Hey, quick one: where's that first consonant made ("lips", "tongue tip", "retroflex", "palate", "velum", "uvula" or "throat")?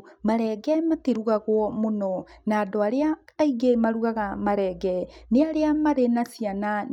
lips